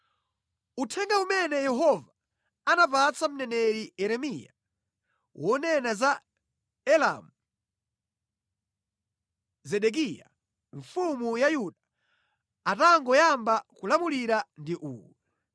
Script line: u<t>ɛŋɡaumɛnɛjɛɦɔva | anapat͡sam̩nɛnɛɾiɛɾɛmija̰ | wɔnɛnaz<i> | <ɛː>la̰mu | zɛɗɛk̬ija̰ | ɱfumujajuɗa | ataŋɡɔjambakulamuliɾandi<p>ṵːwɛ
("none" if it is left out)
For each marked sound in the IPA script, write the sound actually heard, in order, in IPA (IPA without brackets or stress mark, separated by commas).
tʰ, a, ɛ, ʔ